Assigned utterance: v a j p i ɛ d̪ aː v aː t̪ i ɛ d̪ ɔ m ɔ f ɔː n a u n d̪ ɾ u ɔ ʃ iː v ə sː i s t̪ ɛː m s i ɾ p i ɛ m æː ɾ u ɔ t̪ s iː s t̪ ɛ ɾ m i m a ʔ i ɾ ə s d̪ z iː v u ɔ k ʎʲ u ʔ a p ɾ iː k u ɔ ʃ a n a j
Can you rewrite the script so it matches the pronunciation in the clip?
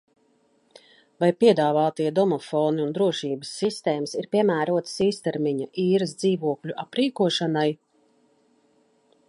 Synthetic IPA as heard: v a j p i ɛ d̪ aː v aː t̪ i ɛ d̪ ɔ m ɔ f ɔː n i u n d̪ ɾ u ɔ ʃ iː b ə sː i s t̪ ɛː m s i ɾ p i ɛ m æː ɾ u ɔ t̪ s iː s t̪ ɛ ɾ m i ɲ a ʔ iː ɾ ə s d̪ z iː v u ɔ k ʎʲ u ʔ a p ɾ iː k u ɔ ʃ a n a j